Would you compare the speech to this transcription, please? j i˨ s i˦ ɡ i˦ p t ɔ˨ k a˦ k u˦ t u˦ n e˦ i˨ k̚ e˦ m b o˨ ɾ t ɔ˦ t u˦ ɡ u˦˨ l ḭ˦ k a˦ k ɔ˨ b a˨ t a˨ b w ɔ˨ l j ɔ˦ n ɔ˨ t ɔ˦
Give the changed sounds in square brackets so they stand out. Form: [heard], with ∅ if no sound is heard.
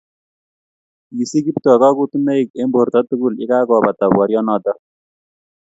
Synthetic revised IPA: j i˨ s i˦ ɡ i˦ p t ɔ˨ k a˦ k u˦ t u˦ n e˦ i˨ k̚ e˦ m b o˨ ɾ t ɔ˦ t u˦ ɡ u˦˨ l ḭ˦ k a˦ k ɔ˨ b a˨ t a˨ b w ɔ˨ [ɾ] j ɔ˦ n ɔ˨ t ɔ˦